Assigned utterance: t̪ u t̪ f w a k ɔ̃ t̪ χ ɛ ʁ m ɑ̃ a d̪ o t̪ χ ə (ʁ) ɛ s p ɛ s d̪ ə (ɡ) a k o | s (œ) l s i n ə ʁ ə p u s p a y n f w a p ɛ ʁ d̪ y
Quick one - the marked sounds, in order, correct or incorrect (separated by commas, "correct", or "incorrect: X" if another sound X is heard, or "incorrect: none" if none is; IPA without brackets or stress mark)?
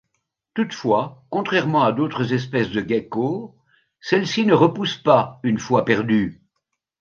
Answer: incorrect: z, correct, incorrect: ɛ